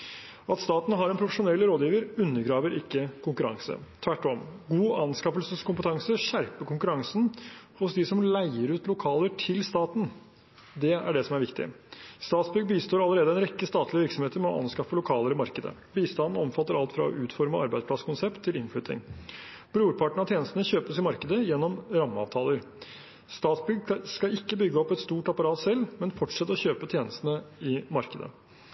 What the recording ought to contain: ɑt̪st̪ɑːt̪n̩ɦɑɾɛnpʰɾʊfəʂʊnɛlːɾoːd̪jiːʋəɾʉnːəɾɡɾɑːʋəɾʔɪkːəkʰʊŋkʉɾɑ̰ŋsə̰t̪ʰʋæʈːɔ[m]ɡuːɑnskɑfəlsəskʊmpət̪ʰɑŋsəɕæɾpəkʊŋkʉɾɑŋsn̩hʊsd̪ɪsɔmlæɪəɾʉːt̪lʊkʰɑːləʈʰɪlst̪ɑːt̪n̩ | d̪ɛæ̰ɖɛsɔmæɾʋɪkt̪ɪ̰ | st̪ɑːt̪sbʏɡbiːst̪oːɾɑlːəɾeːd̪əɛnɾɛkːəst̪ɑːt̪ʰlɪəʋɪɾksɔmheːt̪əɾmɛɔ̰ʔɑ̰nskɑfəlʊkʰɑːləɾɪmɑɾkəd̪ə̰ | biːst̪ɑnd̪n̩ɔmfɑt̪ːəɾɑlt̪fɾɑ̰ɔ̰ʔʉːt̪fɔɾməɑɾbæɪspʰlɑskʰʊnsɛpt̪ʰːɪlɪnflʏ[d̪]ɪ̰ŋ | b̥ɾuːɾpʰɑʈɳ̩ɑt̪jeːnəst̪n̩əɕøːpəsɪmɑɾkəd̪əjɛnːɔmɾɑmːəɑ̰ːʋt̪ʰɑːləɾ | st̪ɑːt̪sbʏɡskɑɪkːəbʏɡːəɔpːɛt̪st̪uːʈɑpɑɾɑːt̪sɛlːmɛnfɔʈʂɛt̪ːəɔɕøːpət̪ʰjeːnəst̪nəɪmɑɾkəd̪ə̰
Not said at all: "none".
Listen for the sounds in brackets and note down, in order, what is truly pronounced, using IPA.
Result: m, t̪

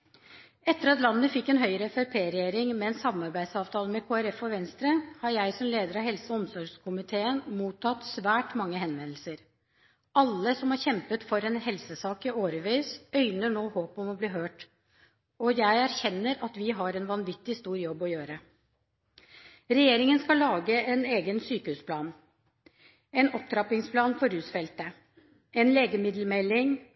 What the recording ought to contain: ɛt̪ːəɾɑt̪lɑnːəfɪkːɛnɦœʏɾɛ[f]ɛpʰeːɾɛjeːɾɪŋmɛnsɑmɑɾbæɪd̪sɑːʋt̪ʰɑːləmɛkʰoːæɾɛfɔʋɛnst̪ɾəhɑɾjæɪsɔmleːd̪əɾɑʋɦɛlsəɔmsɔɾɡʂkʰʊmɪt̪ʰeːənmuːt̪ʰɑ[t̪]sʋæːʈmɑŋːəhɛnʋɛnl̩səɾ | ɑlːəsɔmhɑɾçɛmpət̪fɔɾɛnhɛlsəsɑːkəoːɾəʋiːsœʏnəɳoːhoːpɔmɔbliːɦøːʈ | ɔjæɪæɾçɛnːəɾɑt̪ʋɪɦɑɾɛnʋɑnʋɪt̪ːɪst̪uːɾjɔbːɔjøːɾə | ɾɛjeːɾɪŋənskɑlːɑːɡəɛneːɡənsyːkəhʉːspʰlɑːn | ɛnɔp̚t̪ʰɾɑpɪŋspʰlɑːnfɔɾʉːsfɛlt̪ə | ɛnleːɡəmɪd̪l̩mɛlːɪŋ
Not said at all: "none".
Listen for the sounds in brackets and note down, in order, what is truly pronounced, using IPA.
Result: f, t̪

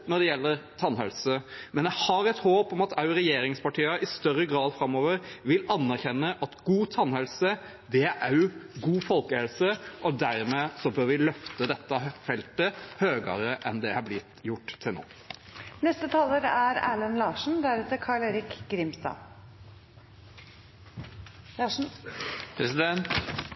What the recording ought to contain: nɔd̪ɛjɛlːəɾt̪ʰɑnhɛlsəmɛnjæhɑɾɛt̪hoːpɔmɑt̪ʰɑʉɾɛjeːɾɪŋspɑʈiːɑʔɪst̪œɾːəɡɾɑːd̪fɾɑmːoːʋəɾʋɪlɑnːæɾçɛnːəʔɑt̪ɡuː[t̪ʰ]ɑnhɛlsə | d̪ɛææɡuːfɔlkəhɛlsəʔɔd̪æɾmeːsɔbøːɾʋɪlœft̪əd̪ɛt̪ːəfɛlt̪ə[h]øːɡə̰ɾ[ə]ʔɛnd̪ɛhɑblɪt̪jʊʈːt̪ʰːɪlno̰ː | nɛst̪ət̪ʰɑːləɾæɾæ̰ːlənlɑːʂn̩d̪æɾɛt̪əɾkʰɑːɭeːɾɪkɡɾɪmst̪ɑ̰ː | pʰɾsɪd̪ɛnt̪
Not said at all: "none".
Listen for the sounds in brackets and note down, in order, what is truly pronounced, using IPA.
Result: t̪ʰ, h, ə

